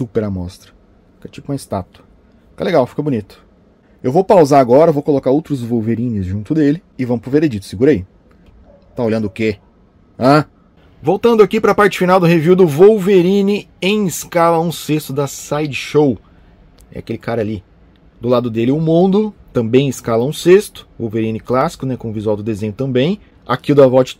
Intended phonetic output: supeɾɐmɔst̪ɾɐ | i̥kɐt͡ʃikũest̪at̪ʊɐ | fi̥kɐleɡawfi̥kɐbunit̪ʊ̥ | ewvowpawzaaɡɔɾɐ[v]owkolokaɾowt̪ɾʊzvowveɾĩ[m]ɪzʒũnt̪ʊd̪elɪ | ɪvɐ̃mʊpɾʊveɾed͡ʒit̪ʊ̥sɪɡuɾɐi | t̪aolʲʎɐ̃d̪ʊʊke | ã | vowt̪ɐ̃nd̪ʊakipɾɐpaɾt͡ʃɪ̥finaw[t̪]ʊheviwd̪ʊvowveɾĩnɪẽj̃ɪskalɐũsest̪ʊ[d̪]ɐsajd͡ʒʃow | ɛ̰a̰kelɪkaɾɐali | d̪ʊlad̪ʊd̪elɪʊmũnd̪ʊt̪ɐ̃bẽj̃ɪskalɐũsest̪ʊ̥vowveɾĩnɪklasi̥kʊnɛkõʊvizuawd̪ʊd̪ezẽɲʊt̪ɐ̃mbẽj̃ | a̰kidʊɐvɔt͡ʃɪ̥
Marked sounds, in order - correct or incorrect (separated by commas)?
correct, incorrect, incorrect, correct